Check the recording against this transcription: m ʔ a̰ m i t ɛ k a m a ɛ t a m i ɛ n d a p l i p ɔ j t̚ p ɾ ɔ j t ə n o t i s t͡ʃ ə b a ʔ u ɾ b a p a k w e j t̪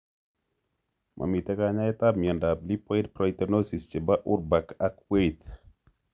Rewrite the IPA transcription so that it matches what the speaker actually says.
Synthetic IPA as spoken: m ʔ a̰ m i t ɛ k a ɲ a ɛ t a m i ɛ n d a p l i p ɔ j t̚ p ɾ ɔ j t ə n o s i s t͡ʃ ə b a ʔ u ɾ b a k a k w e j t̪